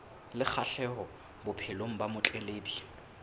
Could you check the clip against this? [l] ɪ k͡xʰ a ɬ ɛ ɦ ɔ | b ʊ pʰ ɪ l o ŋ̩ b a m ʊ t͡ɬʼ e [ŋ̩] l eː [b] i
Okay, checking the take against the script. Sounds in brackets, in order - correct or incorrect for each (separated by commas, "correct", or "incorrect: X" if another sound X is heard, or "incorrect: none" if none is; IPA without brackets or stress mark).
correct, incorrect: none, correct